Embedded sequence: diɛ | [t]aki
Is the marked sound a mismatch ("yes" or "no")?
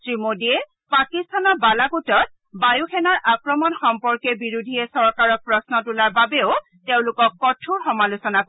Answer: yes